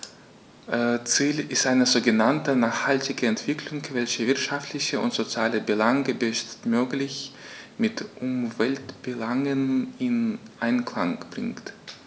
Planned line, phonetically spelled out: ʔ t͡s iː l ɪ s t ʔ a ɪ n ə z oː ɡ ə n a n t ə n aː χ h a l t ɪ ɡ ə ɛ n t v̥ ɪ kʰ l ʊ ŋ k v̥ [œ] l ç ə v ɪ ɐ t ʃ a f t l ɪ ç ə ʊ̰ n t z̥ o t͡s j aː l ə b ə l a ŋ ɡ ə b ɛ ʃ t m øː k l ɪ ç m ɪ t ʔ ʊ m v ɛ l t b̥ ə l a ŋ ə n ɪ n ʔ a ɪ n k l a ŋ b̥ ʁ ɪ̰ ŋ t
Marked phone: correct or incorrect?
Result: incorrect